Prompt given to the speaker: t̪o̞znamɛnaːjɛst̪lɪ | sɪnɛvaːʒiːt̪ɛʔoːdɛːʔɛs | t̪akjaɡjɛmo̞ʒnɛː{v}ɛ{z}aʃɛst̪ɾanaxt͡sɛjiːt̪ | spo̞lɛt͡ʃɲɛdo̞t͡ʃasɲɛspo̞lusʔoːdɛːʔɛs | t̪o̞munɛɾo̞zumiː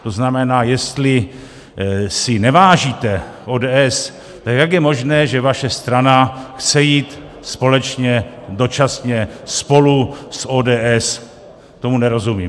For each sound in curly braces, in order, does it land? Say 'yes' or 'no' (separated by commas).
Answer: no, no